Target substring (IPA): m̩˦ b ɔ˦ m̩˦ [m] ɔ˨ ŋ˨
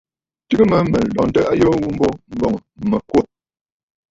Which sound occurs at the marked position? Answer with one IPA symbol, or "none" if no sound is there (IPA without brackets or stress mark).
b